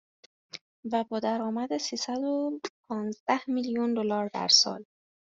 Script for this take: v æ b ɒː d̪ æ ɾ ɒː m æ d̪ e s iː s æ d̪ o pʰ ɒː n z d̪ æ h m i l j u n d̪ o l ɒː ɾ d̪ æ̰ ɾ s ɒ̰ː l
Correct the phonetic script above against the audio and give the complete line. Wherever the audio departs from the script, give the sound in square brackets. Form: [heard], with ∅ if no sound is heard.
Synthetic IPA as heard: v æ b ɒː d̪ æ ɾ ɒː m æ d̪ e s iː s æ d̪ o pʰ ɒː n z d̪ æ h m i l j u n d̪ o l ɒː ɾ d̪ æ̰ ɾ s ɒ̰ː l